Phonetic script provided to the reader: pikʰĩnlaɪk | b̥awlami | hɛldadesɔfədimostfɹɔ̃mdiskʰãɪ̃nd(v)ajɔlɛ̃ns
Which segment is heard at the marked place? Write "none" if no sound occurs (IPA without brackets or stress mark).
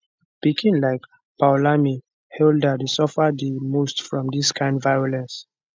v